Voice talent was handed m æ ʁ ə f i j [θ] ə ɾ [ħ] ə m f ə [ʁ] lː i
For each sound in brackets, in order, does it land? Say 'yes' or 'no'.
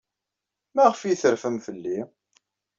yes, no, no

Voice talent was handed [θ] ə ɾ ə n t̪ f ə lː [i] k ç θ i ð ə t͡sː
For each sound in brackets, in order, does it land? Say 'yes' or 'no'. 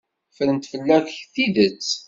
no, no

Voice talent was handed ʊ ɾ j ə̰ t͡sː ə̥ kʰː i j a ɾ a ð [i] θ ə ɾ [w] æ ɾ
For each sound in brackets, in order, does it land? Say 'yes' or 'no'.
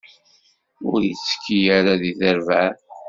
yes, no

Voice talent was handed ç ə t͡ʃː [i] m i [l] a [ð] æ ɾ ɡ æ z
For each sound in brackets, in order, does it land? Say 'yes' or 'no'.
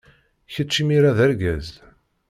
yes, no, yes

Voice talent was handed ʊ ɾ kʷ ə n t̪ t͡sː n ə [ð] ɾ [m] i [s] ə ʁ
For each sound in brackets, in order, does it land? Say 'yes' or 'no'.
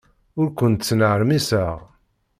no, yes, yes

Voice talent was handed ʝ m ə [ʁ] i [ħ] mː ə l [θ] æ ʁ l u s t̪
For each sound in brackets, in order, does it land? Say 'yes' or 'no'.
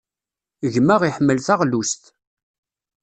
yes, yes, yes

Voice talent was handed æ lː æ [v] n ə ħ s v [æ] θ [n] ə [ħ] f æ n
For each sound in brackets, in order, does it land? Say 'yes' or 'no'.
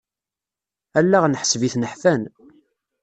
no, no, yes, yes

